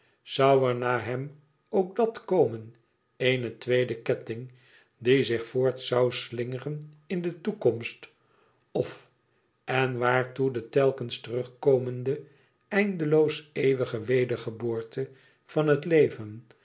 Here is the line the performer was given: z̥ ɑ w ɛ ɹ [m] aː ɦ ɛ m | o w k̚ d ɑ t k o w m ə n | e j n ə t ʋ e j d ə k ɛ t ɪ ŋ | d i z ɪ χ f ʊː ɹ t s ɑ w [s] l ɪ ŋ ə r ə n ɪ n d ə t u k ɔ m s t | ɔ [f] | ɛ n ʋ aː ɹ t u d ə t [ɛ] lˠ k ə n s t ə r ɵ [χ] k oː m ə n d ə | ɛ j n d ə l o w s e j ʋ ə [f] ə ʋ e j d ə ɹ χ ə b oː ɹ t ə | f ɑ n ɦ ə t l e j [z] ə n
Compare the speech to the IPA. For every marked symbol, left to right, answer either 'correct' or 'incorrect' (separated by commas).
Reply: incorrect, correct, correct, correct, correct, incorrect, incorrect